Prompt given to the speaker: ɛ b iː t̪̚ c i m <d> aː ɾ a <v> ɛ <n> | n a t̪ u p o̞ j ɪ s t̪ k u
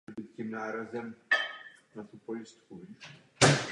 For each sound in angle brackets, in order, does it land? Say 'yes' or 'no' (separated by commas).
no, no, no